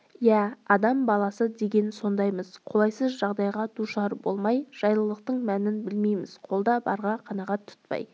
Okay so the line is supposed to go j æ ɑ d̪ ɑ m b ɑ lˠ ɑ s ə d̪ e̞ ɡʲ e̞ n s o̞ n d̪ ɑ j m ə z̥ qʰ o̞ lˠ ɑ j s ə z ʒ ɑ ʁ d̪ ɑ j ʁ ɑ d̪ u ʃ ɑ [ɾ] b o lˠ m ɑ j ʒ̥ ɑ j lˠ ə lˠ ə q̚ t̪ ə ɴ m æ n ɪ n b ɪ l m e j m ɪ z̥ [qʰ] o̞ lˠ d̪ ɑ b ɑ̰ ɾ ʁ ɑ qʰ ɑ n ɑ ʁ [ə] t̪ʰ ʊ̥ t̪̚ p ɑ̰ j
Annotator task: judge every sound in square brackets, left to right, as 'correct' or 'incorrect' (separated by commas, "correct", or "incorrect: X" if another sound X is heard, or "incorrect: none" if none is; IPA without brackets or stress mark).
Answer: correct, correct, incorrect: ɑ